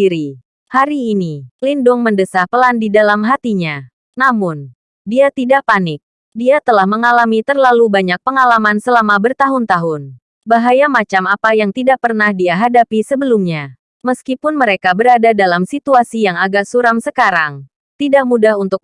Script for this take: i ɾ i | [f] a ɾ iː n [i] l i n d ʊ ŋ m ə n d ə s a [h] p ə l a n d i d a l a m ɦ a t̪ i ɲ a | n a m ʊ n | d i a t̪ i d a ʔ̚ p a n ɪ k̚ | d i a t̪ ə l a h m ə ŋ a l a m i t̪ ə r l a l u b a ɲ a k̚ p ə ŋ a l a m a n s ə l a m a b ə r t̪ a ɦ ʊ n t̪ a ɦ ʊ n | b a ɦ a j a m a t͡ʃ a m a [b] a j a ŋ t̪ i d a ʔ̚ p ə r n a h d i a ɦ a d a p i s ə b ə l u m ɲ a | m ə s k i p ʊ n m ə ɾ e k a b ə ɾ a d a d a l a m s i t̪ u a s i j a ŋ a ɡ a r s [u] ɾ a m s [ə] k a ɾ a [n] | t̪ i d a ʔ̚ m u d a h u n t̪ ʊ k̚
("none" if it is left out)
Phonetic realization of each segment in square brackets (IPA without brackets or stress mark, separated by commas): h, i, h, p, u, ə, ŋ